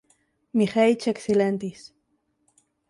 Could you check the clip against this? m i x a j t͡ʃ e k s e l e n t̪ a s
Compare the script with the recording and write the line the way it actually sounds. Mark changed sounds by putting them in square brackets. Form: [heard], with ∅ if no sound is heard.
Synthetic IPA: m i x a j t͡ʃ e k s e l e n t̪ [i] s